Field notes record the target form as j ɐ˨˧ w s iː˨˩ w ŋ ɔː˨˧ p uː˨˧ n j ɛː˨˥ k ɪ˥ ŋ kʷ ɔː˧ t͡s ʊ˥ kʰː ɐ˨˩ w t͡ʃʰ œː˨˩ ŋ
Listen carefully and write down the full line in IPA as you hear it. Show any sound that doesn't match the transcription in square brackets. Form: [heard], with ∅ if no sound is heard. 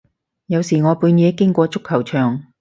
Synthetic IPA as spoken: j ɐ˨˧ w s iː˨˩ [∅] ŋ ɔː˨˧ p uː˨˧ n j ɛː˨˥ k ɪ˥ ŋ kʷ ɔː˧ t͡s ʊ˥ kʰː ɐ˨˩ w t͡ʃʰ œː˨˩ ŋ